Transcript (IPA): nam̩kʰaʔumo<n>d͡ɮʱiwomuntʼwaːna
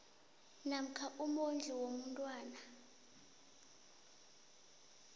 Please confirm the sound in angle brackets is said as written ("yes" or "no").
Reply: yes